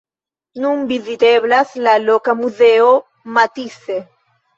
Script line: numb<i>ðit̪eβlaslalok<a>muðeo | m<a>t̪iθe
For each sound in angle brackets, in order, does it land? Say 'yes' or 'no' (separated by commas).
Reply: yes, yes, yes